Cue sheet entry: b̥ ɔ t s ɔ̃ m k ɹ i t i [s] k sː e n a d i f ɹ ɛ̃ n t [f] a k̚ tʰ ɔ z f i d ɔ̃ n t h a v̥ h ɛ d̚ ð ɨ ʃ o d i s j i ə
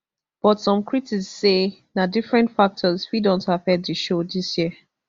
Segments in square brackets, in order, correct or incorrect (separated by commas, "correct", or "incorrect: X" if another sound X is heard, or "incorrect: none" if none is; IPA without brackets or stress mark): incorrect: none, correct